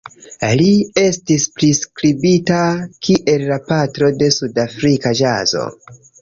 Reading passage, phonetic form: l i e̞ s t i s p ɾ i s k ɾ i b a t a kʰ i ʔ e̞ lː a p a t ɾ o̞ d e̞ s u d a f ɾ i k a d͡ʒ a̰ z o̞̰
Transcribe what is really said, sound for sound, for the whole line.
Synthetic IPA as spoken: l i e̞ s t i s p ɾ i s k ɾ i b i t a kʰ i ʔ e̞ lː a p a t ɾ o̞ d e̞ s u d a f ɾ i k a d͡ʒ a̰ z o̞̰